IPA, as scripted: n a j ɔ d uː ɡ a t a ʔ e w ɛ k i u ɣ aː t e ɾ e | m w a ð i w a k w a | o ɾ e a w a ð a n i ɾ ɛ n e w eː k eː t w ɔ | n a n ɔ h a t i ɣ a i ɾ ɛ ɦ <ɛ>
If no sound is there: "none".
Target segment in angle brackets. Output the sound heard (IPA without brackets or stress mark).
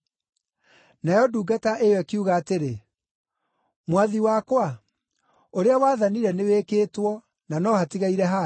a